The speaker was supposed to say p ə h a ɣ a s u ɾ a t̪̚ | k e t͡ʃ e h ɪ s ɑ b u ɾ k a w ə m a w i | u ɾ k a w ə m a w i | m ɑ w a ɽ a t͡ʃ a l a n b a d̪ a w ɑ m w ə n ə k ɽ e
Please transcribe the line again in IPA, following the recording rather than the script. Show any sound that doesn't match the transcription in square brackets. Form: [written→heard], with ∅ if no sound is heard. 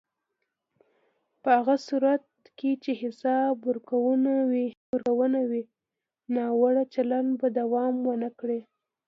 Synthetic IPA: p ə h a ɣ a s u ɾ a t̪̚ | k e t͡ʃ e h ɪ s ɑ b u ɾ k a w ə [m→n] a w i | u ɾ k a w ə [m→n] a w i | [m→n] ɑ w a ɽ a t͡ʃ a l a n b a d̪ a w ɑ m w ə n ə k ɽ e